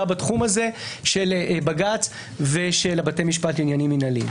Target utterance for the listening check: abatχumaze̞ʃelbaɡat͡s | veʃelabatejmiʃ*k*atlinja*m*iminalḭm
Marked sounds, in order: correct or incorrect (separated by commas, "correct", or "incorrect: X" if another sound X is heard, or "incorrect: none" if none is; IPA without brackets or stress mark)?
incorrect: p, incorrect: n